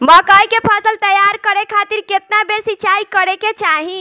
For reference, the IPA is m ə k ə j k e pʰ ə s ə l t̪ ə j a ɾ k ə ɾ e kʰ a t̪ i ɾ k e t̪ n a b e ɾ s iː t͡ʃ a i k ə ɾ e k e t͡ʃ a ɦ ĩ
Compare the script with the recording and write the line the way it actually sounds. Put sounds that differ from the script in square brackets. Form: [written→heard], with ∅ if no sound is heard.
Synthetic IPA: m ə k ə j k e pʰ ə s ə l t̪ ə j a ɾ k ə ɾ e kʰ a t̪ i ɾ k e t̪ n a b e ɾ s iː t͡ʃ a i k ə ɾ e k e t͡ʃ a ɦ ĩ